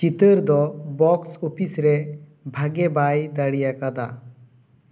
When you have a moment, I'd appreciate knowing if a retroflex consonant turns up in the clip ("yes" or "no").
yes